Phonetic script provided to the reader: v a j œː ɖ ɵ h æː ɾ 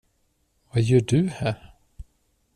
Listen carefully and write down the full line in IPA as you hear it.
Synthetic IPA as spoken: v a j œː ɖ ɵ h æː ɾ

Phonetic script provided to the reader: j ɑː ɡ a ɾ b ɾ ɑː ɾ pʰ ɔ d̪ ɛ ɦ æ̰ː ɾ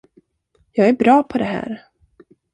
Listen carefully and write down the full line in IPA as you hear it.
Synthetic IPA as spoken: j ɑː ɡ æ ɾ b ɾ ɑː pʰ ɔ d̪ ɛ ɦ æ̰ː ɾ

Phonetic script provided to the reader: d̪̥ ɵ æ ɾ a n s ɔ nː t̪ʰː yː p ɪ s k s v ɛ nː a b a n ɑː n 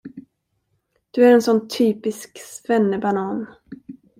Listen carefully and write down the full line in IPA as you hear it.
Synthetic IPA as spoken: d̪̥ ɵ æ ɾ ɛ n s ɔ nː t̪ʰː yː p ɪ s k s v ɛ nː ə b a n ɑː n

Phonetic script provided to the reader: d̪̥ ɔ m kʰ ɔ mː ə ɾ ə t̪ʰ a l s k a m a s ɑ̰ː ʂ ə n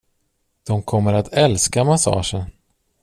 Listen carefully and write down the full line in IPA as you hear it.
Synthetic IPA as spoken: d̪̥ ɔ m kʰ ɔ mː ə ɾ a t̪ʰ ɛ l s k a m a s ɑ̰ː ʂ ə n

